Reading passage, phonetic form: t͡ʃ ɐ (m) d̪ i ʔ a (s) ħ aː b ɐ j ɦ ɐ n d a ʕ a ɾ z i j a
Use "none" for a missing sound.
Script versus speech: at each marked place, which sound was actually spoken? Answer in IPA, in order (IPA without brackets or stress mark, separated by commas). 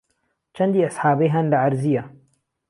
n, s